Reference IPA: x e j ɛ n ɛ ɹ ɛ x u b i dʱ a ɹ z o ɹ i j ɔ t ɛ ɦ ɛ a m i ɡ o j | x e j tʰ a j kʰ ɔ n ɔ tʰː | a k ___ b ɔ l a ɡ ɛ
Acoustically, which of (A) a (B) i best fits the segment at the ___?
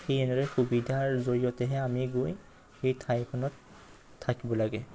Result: B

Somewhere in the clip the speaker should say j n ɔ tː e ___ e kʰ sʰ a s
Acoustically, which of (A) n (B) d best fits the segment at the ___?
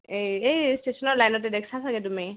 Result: B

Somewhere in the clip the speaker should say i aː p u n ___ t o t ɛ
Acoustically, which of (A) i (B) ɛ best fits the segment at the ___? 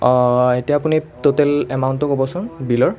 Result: A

